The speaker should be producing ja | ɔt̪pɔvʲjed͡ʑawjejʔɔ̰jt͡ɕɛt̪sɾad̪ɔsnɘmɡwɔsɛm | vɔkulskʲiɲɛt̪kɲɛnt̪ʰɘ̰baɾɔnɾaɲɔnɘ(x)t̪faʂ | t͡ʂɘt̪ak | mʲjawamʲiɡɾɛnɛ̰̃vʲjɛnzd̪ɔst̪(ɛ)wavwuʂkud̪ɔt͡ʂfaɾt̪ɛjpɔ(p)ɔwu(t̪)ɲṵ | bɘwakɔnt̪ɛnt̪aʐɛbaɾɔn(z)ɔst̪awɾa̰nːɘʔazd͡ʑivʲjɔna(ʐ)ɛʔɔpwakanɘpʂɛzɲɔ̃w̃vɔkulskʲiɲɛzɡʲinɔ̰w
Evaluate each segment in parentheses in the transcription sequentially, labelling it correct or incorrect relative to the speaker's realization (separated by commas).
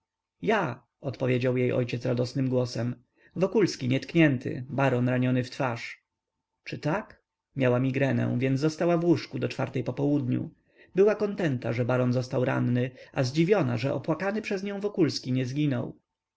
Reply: incorrect, incorrect, correct, incorrect, correct, correct